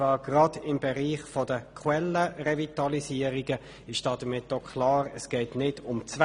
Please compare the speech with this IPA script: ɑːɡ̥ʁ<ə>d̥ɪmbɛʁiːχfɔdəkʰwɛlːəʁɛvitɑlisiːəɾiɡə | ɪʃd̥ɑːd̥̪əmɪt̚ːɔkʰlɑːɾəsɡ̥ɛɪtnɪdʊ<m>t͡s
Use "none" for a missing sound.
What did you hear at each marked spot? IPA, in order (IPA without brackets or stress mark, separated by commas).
ɑ, m